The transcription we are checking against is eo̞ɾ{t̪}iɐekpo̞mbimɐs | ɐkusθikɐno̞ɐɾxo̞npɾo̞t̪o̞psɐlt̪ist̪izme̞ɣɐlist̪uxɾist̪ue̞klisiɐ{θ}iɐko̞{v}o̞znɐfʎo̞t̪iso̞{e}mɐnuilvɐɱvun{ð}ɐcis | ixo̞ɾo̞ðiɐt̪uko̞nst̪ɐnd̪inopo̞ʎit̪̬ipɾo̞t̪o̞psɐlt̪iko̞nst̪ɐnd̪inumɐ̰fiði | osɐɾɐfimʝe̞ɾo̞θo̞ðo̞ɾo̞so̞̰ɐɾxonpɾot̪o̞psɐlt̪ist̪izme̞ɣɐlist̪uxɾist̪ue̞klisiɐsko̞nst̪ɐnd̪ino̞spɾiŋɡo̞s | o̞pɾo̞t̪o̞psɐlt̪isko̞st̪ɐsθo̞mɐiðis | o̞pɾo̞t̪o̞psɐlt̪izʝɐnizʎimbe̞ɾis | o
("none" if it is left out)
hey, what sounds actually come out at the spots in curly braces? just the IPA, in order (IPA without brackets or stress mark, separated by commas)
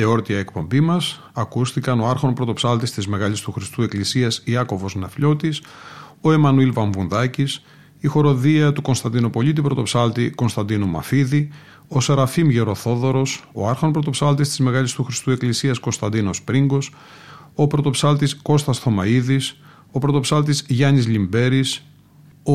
t̪, s, v, e, ð